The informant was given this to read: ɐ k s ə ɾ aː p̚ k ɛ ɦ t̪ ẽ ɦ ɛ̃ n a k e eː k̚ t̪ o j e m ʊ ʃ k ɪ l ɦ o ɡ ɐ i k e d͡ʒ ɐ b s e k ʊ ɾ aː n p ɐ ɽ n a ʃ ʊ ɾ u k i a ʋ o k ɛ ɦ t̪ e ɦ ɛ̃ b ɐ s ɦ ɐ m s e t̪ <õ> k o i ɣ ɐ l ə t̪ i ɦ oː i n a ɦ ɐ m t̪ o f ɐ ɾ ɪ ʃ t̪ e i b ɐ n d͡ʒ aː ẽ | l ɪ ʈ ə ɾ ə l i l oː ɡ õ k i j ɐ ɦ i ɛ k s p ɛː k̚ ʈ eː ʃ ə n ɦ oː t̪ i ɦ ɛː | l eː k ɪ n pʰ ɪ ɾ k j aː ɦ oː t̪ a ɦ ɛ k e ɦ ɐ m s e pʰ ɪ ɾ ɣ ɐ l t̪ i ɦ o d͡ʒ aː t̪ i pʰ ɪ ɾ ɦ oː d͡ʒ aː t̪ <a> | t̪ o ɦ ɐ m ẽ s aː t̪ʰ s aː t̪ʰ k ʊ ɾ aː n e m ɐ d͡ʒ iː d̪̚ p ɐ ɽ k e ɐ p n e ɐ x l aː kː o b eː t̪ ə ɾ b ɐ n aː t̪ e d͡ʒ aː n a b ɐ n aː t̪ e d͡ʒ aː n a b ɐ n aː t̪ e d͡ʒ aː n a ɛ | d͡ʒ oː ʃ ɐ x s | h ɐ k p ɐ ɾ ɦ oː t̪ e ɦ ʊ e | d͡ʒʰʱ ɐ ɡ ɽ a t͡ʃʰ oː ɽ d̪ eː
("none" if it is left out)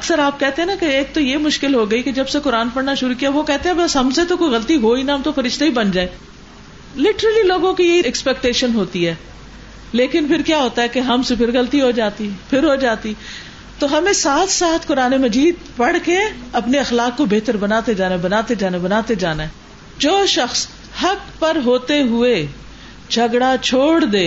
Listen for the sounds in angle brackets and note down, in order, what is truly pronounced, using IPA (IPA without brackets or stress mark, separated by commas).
o, i